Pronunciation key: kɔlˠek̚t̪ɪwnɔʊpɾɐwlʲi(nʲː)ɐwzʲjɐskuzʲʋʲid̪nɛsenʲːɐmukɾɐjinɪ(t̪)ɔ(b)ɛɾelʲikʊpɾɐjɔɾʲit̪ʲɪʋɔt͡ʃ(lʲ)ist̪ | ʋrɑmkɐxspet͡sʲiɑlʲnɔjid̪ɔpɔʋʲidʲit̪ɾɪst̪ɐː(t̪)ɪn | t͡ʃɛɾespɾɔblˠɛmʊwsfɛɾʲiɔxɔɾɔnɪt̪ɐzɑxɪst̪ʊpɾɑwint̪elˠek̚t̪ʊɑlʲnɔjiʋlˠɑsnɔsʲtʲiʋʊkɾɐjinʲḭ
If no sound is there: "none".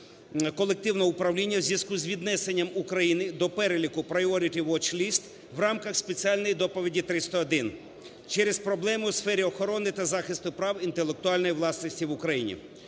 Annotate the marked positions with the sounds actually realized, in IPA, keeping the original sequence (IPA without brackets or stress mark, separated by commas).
nʲː, d̪, p, lʲ, d̪